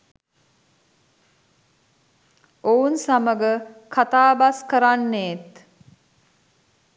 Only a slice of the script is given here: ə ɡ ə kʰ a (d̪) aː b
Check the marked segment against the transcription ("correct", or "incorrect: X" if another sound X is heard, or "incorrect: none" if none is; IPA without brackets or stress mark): incorrect: t̪